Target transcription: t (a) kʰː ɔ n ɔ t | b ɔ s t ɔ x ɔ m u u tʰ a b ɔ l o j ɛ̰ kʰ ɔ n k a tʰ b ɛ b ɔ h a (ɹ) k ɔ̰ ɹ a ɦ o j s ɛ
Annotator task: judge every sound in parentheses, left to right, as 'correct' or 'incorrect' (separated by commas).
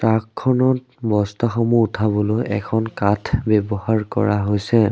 correct, correct